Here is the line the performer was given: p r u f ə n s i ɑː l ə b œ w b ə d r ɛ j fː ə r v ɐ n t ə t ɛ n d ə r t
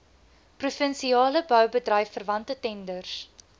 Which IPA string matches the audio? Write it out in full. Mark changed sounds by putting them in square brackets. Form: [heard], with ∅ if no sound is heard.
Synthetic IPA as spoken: p r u f ə n s i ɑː l ə b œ w b ə d r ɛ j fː ə r v ɐ n t ə t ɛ n d ə r [s]